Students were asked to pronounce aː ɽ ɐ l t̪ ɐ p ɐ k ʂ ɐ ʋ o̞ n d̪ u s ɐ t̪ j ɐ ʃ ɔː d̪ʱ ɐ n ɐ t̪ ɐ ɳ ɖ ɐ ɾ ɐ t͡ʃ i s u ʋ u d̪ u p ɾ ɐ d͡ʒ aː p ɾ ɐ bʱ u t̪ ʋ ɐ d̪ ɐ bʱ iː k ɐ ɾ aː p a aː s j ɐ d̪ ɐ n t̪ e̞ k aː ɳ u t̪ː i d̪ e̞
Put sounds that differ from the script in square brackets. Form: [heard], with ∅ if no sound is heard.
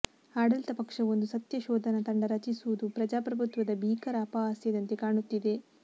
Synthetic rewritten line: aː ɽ ɐ l t̪ ɐ p ɐ k ʂ ɐ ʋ o̞ n d̪ u s ɐ t̪ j ɐ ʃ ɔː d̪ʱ ɐ n ɐ t̪ ɐ ɳ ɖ ɐ ɾ ɐ t͡ʃ i s u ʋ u d̪ u p ɾ ɐ d͡ʒ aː p ɾ ɐ bʱ u t̪ ʋ ɐ d̪ ɐ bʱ iː k ɐ ɾ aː p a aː s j ɐ d̪ ɐ n t̪ e̞ k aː ɳ u t̪ː i d̪ e̞